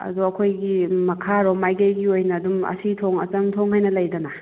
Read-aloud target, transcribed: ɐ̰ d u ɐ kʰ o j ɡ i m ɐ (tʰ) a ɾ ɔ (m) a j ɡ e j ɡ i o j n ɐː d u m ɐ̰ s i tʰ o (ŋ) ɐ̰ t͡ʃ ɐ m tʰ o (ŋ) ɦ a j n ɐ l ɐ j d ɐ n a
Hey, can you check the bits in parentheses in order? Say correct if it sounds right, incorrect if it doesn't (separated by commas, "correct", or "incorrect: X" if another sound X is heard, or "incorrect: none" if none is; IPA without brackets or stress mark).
incorrect: kʰ, correct, correct, correct